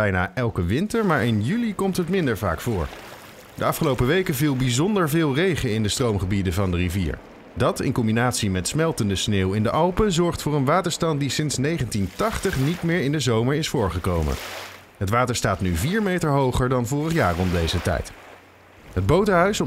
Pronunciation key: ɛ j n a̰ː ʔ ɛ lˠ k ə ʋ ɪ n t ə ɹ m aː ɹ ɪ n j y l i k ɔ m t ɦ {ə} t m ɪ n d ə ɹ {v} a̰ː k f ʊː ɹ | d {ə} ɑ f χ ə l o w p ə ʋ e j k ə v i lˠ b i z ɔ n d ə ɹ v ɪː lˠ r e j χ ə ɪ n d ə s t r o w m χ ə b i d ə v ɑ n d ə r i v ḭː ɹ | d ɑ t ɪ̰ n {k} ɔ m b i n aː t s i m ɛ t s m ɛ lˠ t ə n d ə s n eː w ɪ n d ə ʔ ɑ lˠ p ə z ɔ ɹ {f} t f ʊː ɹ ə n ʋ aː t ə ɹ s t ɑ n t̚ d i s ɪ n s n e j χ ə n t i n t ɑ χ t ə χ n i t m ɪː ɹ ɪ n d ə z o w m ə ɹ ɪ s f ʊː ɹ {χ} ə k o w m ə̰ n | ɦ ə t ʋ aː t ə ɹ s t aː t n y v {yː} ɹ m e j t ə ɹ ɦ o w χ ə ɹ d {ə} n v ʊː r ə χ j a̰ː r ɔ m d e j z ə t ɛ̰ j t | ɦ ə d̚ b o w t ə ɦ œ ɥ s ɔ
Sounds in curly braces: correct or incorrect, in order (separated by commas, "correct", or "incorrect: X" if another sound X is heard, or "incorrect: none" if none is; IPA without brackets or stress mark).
correct, correct, correct, correct, incorrect: χ, correct, incorrect: iː, incorrect: ɑ